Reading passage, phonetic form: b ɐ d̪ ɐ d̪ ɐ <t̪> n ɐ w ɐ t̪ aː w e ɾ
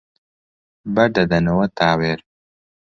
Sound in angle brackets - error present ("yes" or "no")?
yes